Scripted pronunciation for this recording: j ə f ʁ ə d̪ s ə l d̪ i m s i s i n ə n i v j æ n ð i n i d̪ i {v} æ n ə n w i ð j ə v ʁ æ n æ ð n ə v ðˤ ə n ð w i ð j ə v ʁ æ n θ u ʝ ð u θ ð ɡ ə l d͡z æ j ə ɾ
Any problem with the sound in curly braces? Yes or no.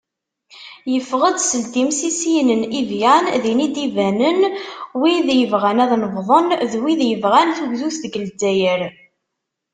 no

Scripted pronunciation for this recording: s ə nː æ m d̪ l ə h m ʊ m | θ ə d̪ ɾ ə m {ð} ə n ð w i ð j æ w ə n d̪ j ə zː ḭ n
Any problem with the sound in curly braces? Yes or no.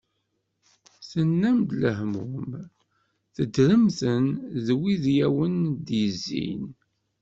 yes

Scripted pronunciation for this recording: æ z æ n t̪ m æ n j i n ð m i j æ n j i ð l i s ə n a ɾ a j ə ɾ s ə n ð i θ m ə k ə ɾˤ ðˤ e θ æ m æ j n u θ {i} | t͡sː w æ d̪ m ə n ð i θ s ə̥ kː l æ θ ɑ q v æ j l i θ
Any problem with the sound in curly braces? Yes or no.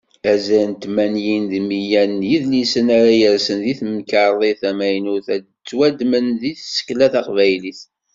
yes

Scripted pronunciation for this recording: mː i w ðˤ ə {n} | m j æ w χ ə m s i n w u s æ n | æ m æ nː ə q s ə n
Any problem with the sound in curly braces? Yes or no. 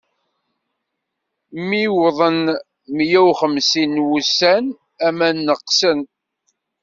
no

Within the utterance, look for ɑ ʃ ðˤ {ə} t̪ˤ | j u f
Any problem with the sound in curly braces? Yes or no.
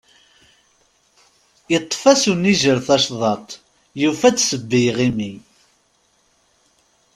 yes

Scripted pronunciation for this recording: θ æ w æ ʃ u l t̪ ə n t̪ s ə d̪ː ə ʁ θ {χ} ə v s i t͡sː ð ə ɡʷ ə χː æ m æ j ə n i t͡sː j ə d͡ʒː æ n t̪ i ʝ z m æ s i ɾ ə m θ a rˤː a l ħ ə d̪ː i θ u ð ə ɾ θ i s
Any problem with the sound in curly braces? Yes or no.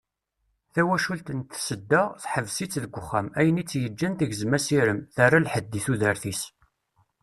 yes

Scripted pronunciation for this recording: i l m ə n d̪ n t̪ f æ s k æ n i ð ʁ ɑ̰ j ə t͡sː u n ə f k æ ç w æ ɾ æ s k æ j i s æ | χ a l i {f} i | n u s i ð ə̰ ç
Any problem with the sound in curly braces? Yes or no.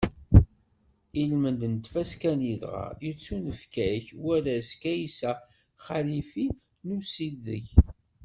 no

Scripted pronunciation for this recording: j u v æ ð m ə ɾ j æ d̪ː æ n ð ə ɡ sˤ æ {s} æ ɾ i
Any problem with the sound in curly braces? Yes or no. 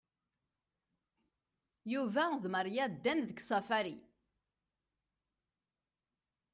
yes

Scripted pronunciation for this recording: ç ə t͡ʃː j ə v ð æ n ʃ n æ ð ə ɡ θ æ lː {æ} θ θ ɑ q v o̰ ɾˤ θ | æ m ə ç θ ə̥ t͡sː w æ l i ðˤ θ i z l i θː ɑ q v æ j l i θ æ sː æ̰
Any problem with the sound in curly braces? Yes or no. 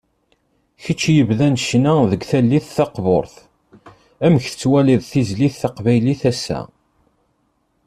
yes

